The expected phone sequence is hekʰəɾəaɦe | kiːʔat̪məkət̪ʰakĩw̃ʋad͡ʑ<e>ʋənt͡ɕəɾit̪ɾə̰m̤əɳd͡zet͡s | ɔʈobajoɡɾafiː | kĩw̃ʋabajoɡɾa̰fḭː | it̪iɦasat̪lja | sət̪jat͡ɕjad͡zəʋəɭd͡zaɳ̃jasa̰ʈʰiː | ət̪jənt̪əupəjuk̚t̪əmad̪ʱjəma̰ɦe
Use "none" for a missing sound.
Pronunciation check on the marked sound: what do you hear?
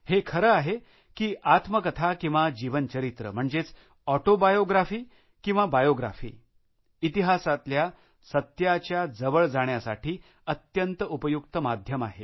i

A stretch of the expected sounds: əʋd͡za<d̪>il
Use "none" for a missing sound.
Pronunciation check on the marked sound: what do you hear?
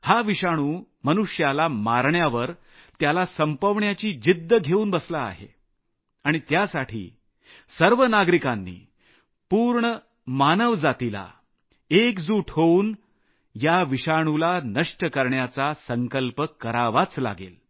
t̪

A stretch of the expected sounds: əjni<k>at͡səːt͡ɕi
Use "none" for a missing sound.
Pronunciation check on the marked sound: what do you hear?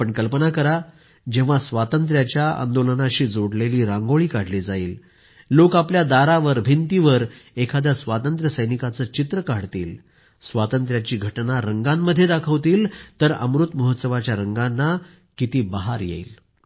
k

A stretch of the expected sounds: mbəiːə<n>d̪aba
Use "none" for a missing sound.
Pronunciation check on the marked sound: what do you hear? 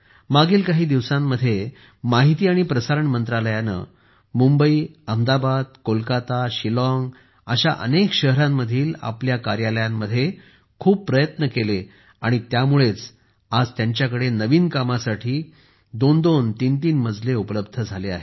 m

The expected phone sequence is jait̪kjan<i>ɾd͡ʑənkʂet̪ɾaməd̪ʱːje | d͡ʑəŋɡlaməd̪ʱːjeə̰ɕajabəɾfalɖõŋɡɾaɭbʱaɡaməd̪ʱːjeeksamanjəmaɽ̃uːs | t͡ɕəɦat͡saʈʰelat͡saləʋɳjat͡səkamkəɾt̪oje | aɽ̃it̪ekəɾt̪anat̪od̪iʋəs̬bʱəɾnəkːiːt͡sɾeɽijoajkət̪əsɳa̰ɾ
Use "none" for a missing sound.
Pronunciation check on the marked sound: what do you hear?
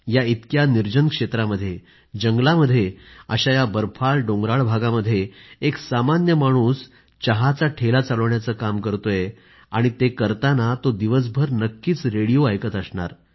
i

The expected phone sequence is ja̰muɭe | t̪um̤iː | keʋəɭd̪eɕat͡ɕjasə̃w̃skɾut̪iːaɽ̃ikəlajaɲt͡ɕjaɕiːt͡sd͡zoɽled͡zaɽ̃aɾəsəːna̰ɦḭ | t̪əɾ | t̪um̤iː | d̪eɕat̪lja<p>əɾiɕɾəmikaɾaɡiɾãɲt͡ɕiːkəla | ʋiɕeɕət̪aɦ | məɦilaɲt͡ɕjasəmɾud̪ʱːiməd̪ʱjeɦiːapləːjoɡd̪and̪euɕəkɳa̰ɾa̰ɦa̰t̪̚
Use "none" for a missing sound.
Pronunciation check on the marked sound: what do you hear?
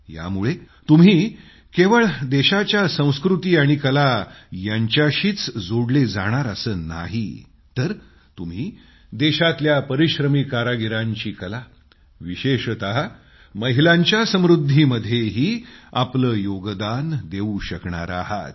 p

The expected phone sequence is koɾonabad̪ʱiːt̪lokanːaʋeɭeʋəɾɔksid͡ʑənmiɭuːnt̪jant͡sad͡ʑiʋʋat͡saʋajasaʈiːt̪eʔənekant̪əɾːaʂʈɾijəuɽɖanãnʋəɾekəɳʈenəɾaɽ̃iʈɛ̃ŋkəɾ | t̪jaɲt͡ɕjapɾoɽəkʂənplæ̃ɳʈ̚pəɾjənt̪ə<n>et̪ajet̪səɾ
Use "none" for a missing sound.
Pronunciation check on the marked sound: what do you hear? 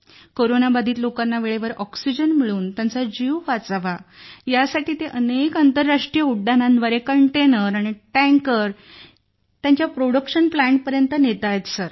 n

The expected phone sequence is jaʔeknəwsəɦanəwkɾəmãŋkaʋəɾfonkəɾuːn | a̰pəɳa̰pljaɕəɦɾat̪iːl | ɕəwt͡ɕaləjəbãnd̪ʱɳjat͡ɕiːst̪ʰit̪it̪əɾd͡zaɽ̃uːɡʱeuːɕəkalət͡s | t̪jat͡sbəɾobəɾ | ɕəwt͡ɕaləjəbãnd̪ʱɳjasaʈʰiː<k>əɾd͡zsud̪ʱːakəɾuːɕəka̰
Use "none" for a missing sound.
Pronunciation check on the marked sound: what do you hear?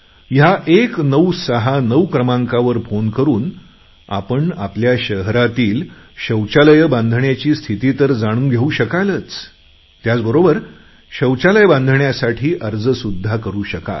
ʔ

